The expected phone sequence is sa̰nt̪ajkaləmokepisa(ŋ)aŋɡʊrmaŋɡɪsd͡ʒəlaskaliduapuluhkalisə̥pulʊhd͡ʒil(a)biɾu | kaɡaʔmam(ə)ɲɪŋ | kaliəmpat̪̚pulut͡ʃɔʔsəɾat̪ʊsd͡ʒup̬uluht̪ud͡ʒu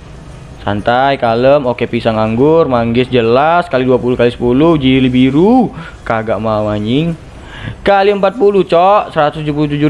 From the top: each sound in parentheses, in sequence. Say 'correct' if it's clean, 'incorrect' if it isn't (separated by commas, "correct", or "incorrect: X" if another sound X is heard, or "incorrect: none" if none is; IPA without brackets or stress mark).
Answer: correct, incorrect: i, incorrect: a